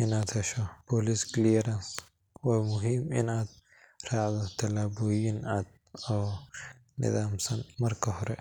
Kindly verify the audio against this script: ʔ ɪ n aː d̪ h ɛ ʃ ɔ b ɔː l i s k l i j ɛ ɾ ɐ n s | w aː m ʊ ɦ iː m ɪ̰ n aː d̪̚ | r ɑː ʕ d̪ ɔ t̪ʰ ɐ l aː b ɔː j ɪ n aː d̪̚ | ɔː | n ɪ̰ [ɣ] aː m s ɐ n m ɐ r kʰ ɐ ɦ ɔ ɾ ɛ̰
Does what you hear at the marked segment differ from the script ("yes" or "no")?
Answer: yes